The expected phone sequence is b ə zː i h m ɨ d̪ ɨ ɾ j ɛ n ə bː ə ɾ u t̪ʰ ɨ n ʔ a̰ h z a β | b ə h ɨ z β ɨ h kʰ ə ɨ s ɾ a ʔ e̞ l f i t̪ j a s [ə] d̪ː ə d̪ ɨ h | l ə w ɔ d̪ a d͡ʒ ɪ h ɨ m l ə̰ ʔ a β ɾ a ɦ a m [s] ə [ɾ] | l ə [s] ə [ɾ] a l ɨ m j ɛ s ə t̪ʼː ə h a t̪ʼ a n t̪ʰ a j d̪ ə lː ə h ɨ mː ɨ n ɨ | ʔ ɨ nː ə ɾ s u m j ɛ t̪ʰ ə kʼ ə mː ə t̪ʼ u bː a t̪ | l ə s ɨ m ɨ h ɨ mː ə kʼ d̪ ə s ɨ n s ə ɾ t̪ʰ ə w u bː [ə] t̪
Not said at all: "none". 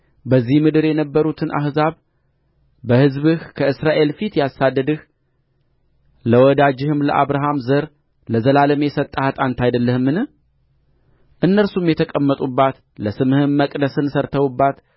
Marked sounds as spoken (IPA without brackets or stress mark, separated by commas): a, z, ɾ, z, l, a